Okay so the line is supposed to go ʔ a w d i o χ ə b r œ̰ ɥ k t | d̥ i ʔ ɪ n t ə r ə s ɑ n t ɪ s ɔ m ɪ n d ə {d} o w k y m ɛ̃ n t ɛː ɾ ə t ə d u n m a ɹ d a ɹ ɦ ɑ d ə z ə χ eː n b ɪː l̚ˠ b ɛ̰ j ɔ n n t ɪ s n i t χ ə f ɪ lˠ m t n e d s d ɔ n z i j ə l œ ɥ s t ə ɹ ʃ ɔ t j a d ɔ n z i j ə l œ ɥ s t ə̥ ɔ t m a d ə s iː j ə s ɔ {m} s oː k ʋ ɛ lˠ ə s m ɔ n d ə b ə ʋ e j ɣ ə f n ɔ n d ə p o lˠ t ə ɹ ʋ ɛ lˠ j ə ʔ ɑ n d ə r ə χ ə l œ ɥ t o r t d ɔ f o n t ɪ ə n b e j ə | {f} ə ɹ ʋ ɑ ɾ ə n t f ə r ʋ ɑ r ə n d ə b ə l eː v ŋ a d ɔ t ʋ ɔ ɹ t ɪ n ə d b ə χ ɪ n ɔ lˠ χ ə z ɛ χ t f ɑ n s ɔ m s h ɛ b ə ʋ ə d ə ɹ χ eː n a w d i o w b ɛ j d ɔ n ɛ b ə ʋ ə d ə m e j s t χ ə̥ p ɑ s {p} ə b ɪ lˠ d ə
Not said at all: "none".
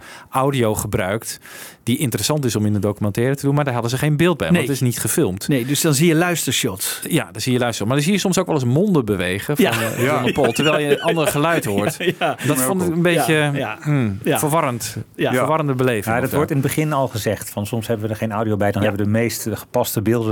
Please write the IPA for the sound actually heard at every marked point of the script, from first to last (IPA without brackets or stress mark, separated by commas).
d, m, f, t